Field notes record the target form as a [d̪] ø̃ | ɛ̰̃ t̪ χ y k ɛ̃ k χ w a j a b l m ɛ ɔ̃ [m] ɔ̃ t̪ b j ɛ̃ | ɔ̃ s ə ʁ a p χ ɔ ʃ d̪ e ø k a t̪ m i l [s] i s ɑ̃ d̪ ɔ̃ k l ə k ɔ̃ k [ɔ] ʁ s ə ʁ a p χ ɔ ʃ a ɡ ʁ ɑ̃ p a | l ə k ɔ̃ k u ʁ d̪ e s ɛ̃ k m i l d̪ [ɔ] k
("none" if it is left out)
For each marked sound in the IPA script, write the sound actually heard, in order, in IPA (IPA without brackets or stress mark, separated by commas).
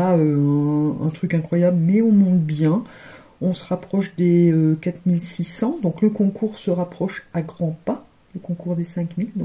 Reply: none, m, s, u, ɔ̃